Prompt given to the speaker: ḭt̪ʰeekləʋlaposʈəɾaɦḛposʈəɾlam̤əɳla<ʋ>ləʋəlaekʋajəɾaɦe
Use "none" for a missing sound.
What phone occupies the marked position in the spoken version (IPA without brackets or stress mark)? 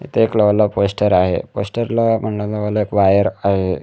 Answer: none